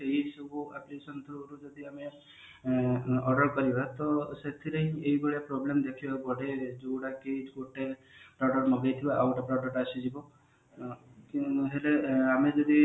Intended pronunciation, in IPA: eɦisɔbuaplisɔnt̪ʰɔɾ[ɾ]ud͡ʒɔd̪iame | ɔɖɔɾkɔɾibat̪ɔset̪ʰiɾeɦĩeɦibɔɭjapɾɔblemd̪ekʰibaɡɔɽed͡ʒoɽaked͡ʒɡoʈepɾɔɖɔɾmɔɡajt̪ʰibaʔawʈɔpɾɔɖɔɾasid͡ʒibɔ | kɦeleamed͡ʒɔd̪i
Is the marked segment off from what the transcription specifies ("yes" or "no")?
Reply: no